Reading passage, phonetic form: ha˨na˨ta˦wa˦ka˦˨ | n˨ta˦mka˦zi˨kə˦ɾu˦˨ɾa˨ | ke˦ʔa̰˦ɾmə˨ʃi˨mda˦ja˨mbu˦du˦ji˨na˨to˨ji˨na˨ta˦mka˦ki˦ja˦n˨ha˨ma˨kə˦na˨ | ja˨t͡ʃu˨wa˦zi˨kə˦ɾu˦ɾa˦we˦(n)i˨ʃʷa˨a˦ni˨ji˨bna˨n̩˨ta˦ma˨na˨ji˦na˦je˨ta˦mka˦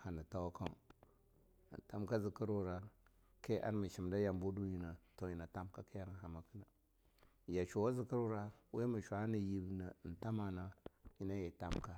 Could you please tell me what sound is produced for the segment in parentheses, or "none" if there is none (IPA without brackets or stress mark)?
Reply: m